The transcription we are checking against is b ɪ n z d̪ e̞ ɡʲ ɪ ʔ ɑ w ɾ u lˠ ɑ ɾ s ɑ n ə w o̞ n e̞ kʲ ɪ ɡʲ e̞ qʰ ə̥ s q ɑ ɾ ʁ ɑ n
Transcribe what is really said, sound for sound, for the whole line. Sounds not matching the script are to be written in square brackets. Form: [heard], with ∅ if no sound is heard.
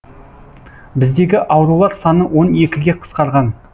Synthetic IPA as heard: b ɪ [∅] z d̪ e̞ ɡʲ ɪ ʔ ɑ w ɾ u lˠ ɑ ɾ s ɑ n ə w o̞ n e̞ kʲ ɪ ɡʲ e̞ qʰ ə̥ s q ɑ ɾ ʁ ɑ n